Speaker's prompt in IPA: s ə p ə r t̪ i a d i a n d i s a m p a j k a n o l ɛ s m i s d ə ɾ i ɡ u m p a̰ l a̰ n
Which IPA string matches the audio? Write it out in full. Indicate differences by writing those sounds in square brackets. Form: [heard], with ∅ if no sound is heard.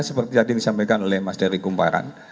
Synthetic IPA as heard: s ə p ə r t̪ i a d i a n d i s a m p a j k a n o l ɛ [h] m [a] s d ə ɾ i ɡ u m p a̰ [ɾ] a̰ n